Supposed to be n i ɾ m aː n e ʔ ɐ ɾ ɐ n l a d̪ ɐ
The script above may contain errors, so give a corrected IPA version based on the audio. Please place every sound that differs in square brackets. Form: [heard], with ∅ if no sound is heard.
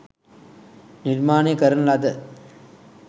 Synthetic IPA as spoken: n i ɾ m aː n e [k] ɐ ɾ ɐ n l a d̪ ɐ